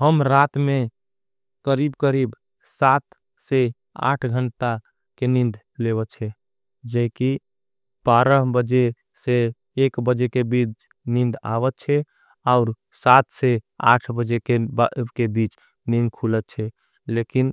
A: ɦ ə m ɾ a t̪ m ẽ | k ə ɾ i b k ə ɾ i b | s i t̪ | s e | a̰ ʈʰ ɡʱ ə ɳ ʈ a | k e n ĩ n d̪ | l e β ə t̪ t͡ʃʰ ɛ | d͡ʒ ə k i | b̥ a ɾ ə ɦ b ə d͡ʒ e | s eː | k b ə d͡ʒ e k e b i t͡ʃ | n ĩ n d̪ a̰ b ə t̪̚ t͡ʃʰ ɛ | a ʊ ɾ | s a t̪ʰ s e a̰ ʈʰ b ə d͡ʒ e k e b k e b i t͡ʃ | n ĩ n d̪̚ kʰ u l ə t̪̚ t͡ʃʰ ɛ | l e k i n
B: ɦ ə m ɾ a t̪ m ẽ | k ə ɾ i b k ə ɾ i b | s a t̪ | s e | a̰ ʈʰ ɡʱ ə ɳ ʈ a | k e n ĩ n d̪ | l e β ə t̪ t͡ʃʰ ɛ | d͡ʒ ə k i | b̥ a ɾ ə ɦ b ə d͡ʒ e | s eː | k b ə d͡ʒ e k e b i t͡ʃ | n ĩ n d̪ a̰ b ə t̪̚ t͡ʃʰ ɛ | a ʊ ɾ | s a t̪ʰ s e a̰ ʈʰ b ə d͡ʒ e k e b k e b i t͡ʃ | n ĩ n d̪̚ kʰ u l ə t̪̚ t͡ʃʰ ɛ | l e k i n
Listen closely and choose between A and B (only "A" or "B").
B